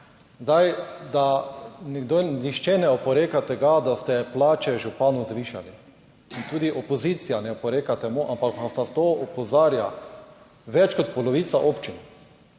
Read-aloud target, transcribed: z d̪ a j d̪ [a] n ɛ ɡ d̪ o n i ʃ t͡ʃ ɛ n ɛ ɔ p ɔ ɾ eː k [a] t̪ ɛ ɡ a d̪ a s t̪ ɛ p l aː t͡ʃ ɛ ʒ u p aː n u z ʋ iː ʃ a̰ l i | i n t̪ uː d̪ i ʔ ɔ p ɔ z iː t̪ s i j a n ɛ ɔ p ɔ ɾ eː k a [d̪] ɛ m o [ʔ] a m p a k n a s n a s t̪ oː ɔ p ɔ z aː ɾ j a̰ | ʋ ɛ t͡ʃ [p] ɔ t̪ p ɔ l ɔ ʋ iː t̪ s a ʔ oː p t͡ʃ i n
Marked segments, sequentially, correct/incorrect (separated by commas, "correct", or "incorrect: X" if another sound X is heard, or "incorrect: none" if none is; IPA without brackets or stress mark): correct, correct, incorrect: t̪, correct, incorrect: k